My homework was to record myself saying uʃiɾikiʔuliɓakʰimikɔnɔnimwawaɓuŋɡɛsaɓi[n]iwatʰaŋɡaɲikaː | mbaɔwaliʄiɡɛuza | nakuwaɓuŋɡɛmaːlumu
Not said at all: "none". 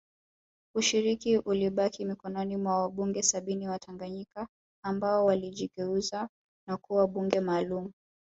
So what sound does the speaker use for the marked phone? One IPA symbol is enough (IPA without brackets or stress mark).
n